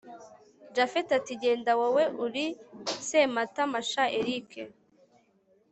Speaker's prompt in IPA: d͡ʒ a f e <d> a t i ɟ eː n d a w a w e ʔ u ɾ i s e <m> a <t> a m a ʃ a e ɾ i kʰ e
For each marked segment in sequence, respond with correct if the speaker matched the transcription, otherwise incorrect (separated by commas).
incorrect, correct, correct